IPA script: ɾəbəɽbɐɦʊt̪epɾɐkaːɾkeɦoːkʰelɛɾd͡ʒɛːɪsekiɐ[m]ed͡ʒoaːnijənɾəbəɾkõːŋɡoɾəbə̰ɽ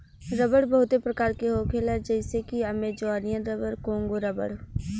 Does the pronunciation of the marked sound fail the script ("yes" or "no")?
no